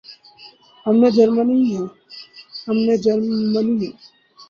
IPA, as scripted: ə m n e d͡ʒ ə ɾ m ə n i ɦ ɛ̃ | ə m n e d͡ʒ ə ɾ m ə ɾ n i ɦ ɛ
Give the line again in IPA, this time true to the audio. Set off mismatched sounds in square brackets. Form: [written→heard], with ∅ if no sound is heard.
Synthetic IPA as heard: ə m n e d͡ʒ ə ɾ m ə n i ɦ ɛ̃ | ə m n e d͡ʒ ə ɾ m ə [ɾ→∅] n i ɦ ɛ